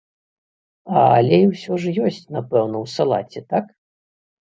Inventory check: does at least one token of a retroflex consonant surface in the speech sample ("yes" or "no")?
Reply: yes